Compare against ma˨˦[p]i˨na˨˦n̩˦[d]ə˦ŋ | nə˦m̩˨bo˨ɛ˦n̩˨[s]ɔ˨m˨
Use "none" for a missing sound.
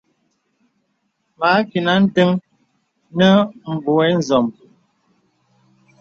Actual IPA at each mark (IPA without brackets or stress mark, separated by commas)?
k, t, z